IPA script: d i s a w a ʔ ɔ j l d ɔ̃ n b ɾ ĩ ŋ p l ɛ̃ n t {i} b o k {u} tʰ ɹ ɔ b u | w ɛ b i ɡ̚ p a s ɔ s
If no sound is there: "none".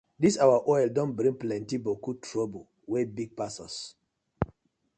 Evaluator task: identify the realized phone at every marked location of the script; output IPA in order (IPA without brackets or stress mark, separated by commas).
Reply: i, u